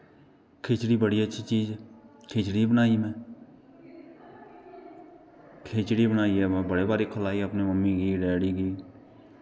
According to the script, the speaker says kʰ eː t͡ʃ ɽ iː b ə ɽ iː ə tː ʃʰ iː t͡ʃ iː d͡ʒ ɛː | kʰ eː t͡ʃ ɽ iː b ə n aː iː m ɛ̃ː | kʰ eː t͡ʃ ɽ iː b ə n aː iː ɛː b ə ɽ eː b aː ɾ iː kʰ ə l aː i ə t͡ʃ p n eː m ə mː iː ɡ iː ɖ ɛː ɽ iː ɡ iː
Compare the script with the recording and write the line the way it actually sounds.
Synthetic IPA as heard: kʰ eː t͡ʃ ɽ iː b ə ɽ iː ə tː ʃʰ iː t͡ʃ iː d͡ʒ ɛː | kʰ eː t͡ʃ ɽ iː b ə n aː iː m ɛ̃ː | kʰ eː t͡ʃ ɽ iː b ə n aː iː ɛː b ə ɽ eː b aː ɾ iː kʰ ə l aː i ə p n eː m ə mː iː ɡ iː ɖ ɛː ɽ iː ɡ iː